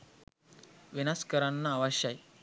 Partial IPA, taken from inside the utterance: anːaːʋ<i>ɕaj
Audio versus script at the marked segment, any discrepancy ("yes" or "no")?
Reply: yes